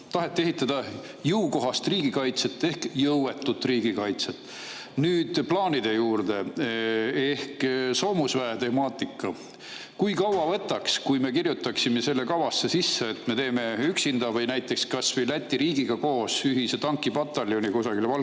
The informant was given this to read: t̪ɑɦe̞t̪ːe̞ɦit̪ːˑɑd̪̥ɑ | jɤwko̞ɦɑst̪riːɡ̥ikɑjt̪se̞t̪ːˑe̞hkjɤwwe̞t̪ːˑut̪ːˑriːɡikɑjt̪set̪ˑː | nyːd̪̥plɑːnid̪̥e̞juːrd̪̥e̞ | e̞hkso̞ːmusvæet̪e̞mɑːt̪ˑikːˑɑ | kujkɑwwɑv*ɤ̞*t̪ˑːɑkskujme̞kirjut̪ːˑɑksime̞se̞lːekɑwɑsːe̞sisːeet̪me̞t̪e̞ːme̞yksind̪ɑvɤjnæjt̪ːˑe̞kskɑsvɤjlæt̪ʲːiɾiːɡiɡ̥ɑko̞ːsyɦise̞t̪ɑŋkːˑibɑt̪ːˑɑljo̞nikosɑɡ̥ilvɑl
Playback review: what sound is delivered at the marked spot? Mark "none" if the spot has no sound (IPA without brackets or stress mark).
ɤ̞